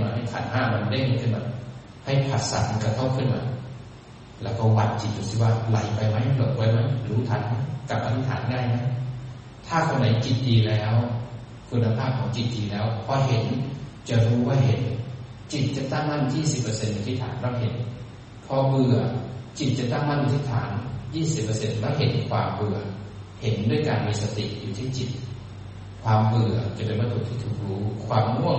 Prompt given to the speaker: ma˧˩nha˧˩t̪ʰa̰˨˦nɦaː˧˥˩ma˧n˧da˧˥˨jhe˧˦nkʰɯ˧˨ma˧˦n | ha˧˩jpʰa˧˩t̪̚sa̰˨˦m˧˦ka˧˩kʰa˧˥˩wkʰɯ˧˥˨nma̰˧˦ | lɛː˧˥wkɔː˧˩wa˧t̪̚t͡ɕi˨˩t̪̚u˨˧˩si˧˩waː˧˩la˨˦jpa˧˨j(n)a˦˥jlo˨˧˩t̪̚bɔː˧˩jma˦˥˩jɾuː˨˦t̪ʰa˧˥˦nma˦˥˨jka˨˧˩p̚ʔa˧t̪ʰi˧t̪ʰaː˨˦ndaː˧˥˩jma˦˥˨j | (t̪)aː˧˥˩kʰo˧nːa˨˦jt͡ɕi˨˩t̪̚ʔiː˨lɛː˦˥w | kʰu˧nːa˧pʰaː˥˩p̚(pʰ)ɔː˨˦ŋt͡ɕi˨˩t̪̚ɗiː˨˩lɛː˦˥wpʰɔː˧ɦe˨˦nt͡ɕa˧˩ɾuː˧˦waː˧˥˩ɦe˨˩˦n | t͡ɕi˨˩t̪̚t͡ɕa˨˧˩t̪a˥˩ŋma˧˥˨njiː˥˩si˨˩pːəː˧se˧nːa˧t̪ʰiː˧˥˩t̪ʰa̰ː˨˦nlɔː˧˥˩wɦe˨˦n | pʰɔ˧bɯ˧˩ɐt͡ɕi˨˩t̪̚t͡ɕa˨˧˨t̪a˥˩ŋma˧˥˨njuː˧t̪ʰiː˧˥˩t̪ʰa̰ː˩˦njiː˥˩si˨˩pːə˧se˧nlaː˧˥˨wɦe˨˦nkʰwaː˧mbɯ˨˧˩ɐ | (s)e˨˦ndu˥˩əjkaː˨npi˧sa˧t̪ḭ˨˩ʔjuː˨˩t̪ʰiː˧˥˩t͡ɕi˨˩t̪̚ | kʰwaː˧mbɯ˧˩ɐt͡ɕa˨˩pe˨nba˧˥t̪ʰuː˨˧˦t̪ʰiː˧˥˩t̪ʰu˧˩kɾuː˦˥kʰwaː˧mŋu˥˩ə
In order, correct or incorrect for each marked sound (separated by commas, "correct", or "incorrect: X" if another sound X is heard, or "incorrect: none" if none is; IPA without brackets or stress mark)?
incorrect: m, incorrect: t̪ʰ, incorrect: kʰ, incorrect: h